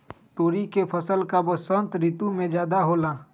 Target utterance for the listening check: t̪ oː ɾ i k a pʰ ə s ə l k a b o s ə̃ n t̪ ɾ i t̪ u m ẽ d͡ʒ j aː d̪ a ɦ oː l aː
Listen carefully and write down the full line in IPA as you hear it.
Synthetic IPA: t̪ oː ɾ i k e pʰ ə s ə l k a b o s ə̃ n t̪ ɾ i t̪ u m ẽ d͡ʒ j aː d̪ a ɦ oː l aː